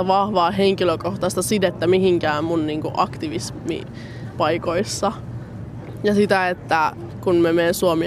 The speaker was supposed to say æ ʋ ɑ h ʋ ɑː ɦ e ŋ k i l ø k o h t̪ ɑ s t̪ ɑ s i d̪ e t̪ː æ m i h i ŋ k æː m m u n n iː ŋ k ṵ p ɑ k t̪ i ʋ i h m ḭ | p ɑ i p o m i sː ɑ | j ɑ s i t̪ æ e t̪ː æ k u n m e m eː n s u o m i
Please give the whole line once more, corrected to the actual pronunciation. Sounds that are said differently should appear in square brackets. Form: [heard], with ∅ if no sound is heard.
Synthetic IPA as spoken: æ ʋ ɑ h ʋ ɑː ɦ e ŋ k i l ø k o h t̪ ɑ s t̪ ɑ s i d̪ e t̪ː æ m i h i ŋ k æː m m u n n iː ŋ k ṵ [ʔ] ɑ k t̪ i ʋ i [s] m ḭ | p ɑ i [k] o [∅] i sː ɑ | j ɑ s i t̪ æ e t̪ː æ k u n m e m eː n s u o m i